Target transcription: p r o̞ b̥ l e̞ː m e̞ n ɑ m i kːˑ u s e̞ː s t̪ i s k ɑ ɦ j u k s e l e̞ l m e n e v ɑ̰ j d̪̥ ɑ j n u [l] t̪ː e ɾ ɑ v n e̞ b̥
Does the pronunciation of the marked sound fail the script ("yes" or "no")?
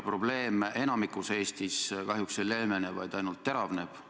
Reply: no